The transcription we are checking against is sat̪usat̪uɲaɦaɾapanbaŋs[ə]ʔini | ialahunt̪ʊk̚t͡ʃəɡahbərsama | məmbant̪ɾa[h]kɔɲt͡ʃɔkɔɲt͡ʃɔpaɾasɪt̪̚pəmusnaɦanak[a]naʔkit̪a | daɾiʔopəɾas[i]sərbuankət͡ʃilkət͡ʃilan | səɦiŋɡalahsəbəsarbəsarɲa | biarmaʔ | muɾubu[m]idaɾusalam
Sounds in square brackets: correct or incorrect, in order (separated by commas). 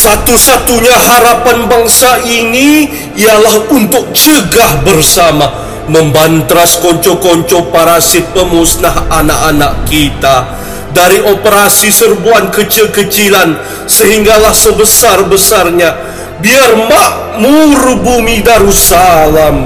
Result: incorrect, incorrect, correct, correct, correct